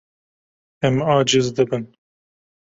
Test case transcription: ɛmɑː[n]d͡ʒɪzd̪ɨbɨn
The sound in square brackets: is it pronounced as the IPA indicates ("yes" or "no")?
no